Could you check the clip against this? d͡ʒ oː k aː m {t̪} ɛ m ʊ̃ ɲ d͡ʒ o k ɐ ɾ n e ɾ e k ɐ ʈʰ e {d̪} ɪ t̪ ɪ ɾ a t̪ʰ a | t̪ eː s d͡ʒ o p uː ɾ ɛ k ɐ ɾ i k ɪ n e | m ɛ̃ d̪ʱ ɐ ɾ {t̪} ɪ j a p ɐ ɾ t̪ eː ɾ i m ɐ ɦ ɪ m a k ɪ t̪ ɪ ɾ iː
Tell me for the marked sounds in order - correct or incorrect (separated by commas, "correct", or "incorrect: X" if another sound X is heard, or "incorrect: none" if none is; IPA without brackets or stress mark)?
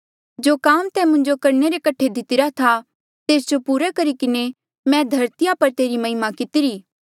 correct, correct, correct